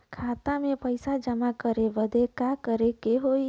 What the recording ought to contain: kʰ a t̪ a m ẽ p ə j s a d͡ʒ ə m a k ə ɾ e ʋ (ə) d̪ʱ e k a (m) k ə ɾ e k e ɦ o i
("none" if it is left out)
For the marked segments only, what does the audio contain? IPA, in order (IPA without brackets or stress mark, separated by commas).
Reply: ə, none